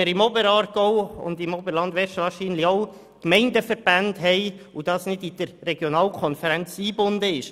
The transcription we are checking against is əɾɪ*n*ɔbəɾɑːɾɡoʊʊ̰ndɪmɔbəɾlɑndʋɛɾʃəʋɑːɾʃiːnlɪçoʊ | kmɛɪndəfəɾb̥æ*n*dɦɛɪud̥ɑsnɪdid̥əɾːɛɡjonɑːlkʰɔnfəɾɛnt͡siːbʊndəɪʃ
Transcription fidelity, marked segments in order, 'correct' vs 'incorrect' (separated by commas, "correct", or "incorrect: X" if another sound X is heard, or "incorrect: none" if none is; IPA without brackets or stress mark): incorrect: m, correct